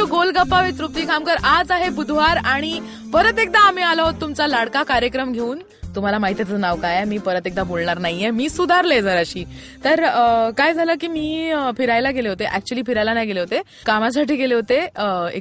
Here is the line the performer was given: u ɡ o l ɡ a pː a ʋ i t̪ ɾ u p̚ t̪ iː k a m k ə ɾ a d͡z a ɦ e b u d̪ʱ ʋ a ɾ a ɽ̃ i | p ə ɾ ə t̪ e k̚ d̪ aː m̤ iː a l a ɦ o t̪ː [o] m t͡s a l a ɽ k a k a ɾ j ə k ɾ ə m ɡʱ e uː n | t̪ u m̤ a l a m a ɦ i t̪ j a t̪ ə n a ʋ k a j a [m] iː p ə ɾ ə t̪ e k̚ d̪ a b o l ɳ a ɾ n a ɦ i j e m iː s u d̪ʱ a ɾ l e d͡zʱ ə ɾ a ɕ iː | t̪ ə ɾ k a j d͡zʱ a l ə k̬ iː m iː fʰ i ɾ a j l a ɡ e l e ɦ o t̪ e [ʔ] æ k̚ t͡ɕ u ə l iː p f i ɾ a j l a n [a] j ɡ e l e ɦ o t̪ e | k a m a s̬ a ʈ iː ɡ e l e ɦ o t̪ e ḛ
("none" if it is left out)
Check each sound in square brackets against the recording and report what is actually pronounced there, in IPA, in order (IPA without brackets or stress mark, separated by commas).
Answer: u, m, ʔ, a